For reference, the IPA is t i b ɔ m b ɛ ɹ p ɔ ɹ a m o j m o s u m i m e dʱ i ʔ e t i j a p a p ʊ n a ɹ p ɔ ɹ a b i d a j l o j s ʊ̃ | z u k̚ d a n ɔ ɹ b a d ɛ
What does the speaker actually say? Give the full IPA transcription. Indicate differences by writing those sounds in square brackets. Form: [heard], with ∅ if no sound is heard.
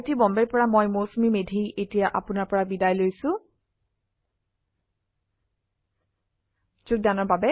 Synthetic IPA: t i b ɔ m b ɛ ɹ p ɔ ɹ a m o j m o s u m i m e dʱ i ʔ e t i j a [ʔ] a p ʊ n a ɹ p ɔ ɹ a b i d a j l o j s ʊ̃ | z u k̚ d a n ɔ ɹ b a [b] ɛ

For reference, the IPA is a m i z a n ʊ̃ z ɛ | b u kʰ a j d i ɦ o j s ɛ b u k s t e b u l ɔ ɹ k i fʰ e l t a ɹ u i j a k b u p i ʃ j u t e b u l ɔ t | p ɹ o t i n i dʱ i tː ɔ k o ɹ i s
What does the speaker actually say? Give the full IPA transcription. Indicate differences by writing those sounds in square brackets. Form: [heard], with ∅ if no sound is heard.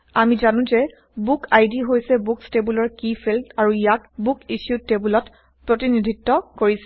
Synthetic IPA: a m i z a n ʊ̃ z ɛ | b u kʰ a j d i ɦ o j s ɛ b u k s t e b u l ɔ ɹ k i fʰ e l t a ɹ u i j a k b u [k] i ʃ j u t e b u l ɔ t | p ɹ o t i n i dʱ i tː ɔ k o ɹ i s

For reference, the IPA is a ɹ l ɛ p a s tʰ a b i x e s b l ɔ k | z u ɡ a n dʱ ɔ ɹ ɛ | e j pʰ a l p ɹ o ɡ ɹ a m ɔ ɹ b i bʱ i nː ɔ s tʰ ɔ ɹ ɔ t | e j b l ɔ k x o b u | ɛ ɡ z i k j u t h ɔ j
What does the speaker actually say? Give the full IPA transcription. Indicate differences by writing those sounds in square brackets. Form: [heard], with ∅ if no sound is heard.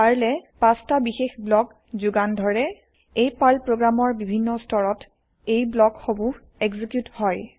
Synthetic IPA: a ɹ l ɛ p a s [t] a b i x e [x] b l ɔ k | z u ɡ a n dʱ ɔ ɹ ɛ | e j [p] a l p ɹ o ɡ ɹ a m ɔ ɹ b i bʱ i nː ɔ s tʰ ɔ ɹ ɔ t | e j b l ɔ k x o b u | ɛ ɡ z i k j u t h ɔ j

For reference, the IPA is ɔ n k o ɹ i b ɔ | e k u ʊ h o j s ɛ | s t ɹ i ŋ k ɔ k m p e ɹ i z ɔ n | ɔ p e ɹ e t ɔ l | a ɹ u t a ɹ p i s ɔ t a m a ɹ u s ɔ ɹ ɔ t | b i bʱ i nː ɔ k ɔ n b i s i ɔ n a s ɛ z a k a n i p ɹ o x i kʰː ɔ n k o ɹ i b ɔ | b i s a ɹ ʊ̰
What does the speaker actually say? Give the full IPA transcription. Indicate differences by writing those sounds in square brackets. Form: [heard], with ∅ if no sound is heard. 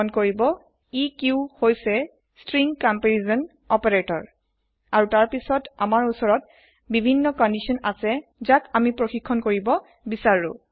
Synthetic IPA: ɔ n k o ɹ i b ɔ | [i] k u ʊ h o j s ɛ | s t ɹ i ŋ k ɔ [∅] m p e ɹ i z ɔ n | ɔ p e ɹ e t ɔ [ɹ] | a ɹ u t a ɹ p i s ɔ t a m a ɹ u s ɔ ɹ ɔ t | b i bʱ i nː ɔ k ɔ n [d] i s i ɔ n a s ɛ z a k a [m] i p ɹ o x i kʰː ɔ n k o ɹ i b ɔ | b i s a ɹ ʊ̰

